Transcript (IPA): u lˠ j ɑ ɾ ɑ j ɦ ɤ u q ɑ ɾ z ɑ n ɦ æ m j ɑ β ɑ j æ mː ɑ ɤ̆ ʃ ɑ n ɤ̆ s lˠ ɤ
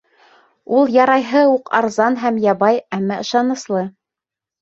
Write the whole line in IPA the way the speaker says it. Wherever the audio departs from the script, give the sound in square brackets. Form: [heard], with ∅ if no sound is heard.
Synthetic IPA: u lˠ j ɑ ɾ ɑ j ɦ ɤ u q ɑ ɾ z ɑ n ɦ æ m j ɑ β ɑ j æ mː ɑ ɤ̆ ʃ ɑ n ɤ̆ s lˠ ɤ